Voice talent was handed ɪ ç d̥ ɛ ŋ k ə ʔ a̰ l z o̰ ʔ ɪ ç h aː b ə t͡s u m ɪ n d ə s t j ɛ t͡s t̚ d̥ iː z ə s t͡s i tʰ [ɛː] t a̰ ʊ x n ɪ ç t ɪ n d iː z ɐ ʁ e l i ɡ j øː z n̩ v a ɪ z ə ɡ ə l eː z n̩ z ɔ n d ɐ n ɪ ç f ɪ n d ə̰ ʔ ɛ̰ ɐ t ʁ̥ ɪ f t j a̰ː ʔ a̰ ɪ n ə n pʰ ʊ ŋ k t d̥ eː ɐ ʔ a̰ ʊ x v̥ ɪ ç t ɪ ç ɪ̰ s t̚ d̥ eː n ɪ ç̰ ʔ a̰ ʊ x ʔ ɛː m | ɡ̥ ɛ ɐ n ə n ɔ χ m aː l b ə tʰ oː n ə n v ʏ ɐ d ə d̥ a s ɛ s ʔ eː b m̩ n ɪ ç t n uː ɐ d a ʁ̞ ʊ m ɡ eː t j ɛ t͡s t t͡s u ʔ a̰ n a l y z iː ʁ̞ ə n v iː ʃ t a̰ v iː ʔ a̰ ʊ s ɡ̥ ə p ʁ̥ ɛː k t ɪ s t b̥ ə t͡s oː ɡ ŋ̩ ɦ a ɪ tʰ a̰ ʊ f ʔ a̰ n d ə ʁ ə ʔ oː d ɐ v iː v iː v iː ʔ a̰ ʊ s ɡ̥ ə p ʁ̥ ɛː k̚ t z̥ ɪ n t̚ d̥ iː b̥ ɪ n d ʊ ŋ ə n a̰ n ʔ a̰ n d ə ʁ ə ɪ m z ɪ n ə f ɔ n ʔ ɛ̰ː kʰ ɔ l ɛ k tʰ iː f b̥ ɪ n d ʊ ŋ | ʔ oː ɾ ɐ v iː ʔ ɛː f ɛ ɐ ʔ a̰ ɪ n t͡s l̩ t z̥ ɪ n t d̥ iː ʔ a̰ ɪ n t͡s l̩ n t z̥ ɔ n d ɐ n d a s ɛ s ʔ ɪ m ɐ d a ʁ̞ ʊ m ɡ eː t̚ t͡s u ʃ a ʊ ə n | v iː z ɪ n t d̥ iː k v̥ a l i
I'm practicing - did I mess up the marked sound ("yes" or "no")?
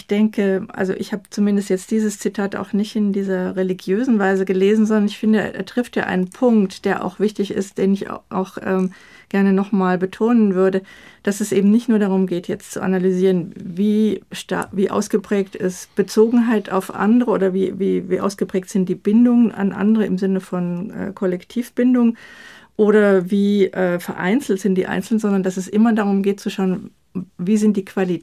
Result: yes